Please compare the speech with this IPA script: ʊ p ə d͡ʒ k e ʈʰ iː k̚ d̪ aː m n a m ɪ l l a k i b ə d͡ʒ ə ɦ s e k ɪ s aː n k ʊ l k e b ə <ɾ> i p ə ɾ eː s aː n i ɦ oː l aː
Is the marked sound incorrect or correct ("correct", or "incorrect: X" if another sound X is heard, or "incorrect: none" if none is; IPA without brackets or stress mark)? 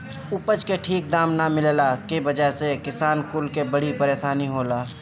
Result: incorrect: ɽ